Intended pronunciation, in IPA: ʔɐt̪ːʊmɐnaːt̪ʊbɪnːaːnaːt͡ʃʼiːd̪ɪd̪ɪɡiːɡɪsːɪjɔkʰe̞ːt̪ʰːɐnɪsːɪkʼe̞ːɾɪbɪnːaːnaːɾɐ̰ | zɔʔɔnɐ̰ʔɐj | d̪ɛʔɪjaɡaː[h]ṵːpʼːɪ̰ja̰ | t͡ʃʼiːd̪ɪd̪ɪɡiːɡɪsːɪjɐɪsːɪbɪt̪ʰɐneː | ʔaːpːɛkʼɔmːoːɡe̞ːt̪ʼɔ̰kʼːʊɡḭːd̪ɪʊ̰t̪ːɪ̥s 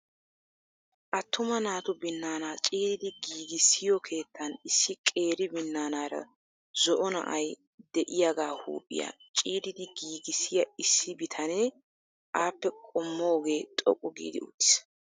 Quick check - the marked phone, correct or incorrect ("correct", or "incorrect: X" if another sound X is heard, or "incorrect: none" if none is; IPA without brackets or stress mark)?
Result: correct